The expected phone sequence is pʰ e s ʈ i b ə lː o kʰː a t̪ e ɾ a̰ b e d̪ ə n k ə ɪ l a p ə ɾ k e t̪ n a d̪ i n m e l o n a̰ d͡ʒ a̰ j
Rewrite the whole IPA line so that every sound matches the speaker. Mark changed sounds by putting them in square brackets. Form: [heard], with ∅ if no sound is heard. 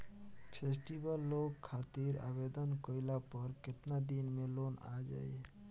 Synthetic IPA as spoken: pʰ e s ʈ i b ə lː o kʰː a t̪ [i] ɾ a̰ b e d̪ ə n k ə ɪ l a p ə ɾ k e t̪ n a d̪ i n m e l o n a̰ d͡ʒ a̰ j